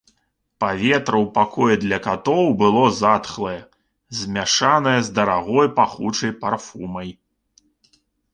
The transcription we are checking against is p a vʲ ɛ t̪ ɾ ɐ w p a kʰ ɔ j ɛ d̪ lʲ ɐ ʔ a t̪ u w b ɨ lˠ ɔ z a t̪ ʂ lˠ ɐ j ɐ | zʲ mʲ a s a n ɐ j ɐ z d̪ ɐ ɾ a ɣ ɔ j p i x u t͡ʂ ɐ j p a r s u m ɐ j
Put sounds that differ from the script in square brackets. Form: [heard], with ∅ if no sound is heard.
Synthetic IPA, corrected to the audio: p a vʲ ɛ t̪ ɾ ɐ w p a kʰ ɔ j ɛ d̪ lʲ ɐ [k] a t̪ [ɔ] w b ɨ lˠ ɔ z a t̪ [x] lˠ ɐ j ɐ | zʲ mʲ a [ʂ] a n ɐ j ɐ z d̪ ɐ ɾ a ɣ ɔ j p [a] x u t͡ʂ ɐ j p a r [f] u m ɐ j